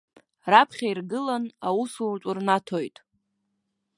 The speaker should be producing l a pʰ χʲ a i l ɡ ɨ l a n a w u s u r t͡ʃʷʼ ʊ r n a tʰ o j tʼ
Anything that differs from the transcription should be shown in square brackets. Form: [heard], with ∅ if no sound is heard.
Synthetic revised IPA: [r] a pʰ χʲ a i [r] ɡ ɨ l a n a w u s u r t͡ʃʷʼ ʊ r n a tʰ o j tʼ